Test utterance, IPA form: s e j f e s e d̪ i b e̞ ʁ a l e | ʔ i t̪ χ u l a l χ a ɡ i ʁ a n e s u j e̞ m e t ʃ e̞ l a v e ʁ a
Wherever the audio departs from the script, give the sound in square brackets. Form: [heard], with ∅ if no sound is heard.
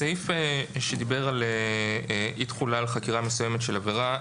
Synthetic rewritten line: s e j f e [ʃ] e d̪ i b e̞ ʁ a l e | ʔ i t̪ χ u l a l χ a [k] i ʁ a [m] e s u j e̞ m e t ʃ e̞ l a v e ʁ a